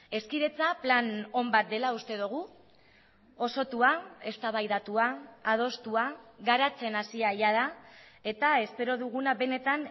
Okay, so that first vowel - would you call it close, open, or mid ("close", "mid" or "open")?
mid